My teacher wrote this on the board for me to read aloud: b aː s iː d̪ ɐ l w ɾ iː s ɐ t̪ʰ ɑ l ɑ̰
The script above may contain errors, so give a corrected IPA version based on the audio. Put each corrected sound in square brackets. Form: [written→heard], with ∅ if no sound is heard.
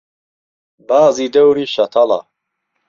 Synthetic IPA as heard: b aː [s→z] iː d̪ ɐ [l→∅] w ɾ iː [s→ʃ] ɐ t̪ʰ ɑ l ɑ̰